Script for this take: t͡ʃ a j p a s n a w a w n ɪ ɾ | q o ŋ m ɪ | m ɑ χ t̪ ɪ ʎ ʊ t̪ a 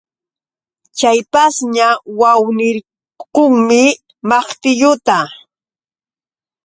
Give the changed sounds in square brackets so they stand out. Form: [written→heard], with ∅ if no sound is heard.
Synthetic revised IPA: t͡ʃ a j p a s [n→ɲ] a w a w n ɪ ɾ | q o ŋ m ɪ | m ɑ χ t̪ ɪ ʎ ʊ t̪ a